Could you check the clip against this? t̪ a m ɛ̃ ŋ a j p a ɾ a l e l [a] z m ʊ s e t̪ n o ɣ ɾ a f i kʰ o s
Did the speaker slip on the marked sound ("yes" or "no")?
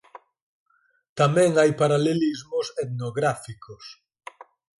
yes